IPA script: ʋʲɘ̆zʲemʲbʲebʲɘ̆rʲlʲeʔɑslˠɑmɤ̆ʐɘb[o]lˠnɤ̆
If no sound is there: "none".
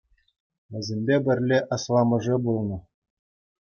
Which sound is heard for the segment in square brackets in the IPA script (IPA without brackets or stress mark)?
u